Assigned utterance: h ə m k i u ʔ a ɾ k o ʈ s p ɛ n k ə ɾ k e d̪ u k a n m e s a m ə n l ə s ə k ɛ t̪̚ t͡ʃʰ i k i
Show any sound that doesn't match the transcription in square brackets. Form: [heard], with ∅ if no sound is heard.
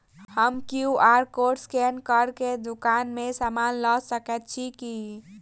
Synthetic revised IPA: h ə m k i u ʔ a ɾ k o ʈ s [k] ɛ n k ə ɾ k e d̪ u k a n m e s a m [a] n l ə s ə k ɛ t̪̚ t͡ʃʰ i k i